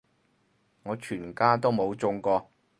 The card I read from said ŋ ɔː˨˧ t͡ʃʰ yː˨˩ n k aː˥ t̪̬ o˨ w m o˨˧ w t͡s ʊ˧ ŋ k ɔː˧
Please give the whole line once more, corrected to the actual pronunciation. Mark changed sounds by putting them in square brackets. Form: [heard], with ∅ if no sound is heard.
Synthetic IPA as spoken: ŋ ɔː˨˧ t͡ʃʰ yː˨˩ n k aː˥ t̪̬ [o˥] w m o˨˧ w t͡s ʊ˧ ŋ k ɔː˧